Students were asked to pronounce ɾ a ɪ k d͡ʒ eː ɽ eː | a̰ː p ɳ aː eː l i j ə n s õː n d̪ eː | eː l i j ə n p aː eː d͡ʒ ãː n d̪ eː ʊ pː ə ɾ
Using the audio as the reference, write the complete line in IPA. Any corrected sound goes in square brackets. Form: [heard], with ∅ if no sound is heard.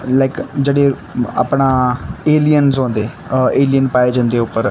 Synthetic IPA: [l] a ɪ k d͡ʒ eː ɽ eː | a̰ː p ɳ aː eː l i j ə n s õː n d̪ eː | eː l i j ə n p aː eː d͡ʒ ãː n d̪ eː ʊ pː ə ɾ

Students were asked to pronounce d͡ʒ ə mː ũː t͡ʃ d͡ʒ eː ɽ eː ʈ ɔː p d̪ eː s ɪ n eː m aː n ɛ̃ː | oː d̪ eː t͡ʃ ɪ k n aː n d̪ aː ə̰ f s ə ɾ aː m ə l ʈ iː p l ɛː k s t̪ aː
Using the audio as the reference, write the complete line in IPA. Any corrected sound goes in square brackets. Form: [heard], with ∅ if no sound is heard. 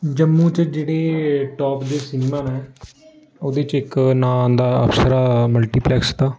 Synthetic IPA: d͡ʒ ə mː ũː t͡ʃ d͡ʒ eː ɽ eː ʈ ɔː p d̪ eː s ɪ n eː m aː n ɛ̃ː | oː d̪ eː t͡ʃ ɪ k n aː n d̪ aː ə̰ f s ə ɾ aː m ə l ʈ iː p l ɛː k s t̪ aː

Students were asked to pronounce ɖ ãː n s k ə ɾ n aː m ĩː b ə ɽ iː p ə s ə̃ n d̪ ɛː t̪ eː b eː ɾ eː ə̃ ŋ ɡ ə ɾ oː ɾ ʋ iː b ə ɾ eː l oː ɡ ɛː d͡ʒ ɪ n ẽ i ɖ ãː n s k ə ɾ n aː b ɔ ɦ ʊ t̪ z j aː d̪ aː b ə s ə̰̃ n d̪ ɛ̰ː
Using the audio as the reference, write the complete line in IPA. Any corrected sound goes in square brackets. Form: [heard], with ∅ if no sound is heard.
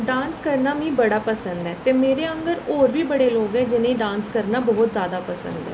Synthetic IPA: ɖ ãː n s k ə ɾ n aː m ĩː b ə ɽ [aː] p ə s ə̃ n d̪ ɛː t̪ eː [m] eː ɾ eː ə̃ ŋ ɡ ə ɾ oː ɾ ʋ iː b ə [ɽ] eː l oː ɡ ɛː d͡ʒ ɪ n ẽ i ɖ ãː n s k ə ɾ n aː b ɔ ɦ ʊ t̪ z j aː d̪ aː [p] ə s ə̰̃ n d̪ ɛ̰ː

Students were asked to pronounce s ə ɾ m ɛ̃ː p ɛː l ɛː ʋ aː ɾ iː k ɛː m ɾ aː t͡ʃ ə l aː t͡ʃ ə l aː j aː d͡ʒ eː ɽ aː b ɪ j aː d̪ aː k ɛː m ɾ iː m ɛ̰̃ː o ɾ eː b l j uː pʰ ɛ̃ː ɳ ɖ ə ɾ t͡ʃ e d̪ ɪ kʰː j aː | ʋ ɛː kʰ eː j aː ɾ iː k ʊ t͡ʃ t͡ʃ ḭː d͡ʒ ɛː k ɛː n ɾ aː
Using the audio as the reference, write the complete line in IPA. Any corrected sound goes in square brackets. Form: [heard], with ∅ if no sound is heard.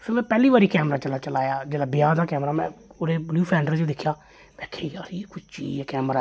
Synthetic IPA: s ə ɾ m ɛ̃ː p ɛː l [iː] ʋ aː ɾ iː k ɛː m ɾ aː t͡ʃ ə l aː t͡ʃ ə l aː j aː d͡ʒ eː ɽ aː b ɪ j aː d̪ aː k ɛː m ɾ [aː] m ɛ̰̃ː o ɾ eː b l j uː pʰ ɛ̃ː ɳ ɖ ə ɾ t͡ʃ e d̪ ɪ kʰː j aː | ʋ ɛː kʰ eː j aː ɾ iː k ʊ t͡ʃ t͡ʃ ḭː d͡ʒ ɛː k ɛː [m] ɾ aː

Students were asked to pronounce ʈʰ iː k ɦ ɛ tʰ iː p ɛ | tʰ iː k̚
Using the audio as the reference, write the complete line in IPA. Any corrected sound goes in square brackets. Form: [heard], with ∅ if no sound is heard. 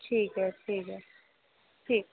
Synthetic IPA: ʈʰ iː k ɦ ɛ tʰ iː [k] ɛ | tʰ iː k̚

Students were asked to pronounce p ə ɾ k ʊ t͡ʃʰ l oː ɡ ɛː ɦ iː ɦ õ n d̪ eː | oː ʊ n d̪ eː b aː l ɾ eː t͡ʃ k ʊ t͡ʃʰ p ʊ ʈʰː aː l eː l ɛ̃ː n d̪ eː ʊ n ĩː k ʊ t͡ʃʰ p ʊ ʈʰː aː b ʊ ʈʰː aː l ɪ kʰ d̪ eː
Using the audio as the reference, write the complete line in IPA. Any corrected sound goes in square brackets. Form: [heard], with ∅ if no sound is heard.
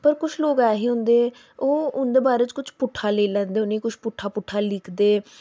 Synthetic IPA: p ə ɾ k ʊ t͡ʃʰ l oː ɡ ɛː ɦ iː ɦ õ n d̪ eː | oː ʊ n d̪ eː b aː [∅] ɾ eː t͡ʃ k ʊ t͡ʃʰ p ʊ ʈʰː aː l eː l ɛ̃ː n d̪ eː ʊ n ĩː k ʊ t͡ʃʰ p ʊ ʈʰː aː [p] ʊ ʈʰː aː l ɪ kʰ d̪ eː

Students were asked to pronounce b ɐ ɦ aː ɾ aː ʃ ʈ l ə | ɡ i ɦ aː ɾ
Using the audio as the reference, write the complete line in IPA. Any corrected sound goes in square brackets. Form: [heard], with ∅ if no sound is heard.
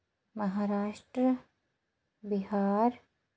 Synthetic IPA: [m] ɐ ɦ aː ɾ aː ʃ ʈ [ɾ] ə | [b] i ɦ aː ɾ

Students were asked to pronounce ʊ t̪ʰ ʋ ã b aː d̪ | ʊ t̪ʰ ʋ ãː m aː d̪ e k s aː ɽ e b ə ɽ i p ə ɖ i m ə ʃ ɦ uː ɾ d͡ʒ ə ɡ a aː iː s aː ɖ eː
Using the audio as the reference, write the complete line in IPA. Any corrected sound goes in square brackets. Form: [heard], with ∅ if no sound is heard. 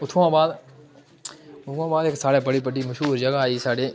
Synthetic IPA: ʊ t̪ʰ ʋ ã b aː d̪ | ʊ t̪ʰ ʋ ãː [b] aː d̪ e k s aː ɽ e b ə ɽ i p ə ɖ i m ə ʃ ɦ uː ɾ d͡ʒ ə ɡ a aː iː s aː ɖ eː

